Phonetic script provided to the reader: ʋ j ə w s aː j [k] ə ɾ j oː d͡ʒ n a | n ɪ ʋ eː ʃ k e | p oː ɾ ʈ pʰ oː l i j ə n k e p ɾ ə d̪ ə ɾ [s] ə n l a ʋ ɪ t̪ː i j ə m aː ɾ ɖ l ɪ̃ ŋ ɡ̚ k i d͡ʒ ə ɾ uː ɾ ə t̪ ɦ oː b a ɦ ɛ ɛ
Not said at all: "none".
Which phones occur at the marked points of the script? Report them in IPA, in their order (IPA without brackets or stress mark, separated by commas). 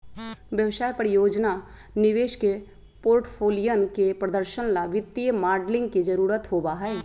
p, ʃ